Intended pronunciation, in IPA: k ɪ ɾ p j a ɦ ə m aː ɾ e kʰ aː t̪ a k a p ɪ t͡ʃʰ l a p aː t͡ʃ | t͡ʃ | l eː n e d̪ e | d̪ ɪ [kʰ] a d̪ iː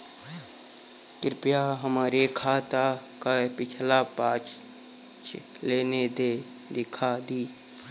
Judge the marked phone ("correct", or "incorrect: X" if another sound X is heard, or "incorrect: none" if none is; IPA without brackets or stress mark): correct